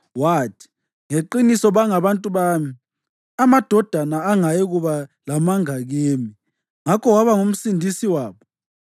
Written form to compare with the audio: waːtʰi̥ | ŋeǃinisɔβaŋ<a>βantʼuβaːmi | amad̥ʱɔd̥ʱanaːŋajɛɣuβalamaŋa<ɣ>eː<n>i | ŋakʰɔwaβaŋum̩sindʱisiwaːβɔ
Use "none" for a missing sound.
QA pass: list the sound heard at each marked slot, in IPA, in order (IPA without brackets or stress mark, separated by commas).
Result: a, ɣ, m